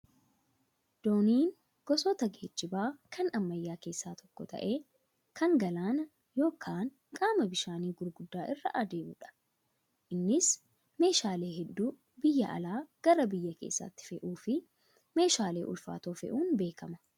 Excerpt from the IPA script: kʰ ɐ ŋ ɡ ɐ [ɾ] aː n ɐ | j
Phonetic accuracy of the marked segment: incorrect: l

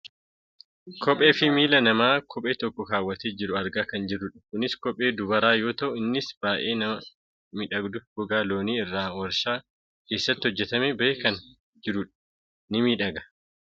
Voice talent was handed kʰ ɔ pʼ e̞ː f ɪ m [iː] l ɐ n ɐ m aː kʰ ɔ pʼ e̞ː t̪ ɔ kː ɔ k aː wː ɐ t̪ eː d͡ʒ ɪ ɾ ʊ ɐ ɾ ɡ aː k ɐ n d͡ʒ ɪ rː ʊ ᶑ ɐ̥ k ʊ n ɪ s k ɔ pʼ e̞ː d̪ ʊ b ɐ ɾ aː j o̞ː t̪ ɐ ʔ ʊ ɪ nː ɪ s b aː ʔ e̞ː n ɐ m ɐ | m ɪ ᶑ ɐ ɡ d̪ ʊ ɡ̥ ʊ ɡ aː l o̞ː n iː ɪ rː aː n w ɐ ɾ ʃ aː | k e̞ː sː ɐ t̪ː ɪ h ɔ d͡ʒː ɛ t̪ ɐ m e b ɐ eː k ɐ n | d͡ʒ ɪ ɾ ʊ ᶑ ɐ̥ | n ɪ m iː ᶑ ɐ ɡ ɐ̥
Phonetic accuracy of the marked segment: correct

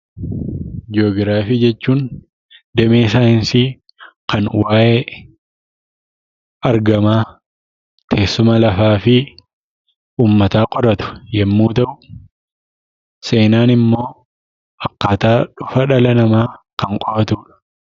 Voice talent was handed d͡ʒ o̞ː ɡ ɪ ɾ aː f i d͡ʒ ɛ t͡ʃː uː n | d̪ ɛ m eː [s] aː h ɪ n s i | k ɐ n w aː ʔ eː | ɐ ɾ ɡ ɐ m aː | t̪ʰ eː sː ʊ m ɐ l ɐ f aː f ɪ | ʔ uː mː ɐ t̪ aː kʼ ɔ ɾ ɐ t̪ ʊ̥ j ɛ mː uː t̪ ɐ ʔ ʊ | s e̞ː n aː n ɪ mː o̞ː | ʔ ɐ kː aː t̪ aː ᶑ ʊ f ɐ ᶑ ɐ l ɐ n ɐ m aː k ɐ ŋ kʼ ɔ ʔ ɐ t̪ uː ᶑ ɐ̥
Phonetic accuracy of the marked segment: correct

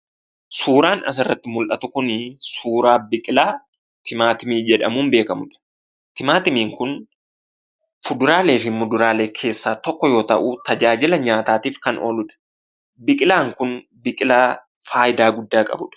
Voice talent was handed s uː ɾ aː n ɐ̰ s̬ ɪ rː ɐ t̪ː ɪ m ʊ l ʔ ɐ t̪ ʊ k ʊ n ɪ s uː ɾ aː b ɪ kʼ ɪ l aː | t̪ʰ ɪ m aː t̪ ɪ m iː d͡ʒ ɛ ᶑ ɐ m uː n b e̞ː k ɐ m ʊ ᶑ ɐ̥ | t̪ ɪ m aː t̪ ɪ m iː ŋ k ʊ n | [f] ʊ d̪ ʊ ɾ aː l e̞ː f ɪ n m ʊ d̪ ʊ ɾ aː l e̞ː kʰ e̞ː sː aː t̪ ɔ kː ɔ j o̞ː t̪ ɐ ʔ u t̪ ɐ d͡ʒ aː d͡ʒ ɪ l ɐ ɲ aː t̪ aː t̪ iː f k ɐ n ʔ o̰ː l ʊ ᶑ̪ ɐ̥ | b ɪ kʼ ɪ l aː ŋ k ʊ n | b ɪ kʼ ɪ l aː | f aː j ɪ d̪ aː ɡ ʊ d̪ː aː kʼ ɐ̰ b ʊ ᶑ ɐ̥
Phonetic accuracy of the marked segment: correct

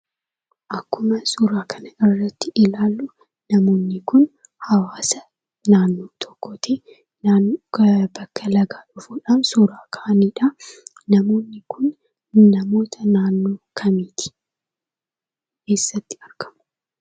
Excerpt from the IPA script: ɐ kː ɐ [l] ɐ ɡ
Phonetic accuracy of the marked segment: correct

